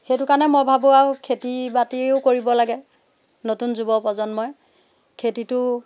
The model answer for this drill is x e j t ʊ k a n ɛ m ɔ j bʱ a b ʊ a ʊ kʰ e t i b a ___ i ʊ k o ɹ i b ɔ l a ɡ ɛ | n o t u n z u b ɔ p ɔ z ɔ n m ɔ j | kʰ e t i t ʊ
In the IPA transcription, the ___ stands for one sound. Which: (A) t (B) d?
A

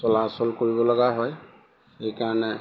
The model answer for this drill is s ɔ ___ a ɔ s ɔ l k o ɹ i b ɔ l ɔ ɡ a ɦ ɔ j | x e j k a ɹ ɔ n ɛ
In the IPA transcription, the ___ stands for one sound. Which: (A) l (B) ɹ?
A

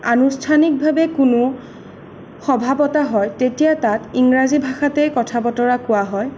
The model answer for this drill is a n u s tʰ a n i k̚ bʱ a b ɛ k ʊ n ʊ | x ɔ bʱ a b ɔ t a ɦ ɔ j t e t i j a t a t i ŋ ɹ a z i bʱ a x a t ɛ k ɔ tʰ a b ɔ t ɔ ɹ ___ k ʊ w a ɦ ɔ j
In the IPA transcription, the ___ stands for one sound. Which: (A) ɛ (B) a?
B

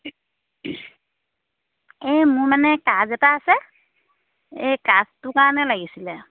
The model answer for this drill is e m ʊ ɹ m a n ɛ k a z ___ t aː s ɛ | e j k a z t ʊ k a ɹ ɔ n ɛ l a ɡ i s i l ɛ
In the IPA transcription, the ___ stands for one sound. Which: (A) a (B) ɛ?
B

